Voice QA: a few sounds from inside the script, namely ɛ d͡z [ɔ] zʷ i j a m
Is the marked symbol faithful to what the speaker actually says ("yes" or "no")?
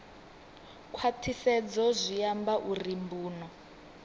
yes